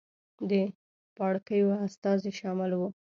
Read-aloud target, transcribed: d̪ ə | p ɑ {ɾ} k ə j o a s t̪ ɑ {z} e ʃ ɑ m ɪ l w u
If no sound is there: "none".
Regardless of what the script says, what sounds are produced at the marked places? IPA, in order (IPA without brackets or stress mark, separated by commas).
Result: ɽ, z